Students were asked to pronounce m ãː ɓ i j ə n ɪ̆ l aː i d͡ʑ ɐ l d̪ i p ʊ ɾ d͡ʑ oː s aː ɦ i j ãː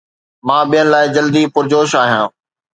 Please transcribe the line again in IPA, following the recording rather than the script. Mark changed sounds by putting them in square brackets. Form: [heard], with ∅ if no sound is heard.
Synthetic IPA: m ãː ɓ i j ə n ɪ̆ l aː [ɪ] d͡ʑ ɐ l d̪ i p ʊ ɾ d͡ʑ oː [ʃ] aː ɦ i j ãː